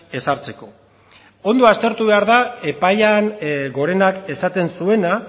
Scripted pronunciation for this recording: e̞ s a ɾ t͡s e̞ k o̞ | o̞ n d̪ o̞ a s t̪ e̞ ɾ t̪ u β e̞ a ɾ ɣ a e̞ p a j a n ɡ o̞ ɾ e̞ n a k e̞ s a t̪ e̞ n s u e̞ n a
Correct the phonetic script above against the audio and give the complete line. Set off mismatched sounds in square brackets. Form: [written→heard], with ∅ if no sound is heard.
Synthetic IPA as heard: e̞ s a ɾ t͡s e̞ k o̞ | o̞ n d̪ o̞ a s t̪ e̞ ɾ t̪ u β e̞ a ɾ [ɣ→ð] a e̞ p a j a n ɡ o̞ ɾ e̞ n a k e̞ s a t̪ e̞ n s u e̞ n a